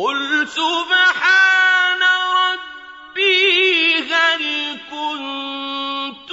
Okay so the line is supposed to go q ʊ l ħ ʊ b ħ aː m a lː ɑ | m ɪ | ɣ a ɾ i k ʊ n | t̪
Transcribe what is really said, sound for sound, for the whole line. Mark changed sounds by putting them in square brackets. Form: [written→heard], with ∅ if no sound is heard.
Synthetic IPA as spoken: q ʊ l [ħ→s] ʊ b ħ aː [m→n] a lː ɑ | [m→b] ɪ | ɣ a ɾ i k ʊ n | t̪